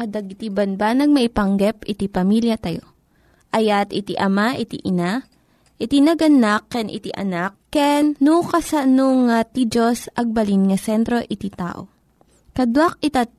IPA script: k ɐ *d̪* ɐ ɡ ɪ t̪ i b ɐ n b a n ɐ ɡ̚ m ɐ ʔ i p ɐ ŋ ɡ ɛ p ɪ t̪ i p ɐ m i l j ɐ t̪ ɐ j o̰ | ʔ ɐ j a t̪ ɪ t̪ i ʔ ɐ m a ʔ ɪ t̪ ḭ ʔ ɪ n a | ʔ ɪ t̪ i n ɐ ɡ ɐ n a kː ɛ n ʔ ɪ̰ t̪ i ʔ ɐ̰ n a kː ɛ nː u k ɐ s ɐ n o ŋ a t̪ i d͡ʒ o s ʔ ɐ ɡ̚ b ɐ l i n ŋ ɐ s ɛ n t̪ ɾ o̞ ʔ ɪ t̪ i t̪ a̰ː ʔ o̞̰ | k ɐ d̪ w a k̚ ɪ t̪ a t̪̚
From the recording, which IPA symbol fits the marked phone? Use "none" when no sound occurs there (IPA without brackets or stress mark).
d̪